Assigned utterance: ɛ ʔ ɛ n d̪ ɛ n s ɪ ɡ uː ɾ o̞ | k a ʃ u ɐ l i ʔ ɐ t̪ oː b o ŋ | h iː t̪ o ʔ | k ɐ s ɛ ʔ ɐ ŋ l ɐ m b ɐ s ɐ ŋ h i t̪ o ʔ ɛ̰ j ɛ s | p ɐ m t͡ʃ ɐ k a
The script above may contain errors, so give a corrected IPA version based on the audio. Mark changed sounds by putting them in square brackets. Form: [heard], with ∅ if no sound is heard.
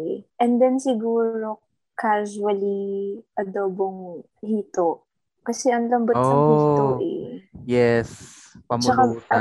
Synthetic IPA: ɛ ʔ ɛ n d̪ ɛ n s ɪ ɡ uː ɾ o̞ | k a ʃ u ɐ l i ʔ ɐ [d̪] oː b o ŋ | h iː t̪ o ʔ | k ɐ s ɛ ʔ ɐ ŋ l ɐ m b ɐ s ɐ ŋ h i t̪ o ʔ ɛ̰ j ɛ s | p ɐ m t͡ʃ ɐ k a